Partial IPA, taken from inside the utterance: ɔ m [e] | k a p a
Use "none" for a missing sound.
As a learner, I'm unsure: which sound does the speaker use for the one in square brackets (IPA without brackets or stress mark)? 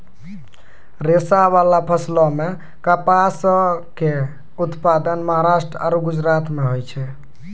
e